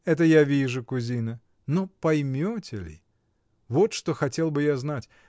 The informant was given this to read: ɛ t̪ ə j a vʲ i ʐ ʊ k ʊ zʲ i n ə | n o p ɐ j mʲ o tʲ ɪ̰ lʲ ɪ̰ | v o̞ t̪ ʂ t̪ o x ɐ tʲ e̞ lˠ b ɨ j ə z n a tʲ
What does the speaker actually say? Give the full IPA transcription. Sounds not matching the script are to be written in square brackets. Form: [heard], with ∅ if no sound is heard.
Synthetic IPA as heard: ɛ t̪ ə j a vʲ i ʐ ʊ k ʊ zʲ i n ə | n o p ɐ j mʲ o tʲ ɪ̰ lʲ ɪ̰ | v o̞ t̪ ʂ t̪ o x ɐ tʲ e̞ lˠ b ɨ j [a] z n a tʲ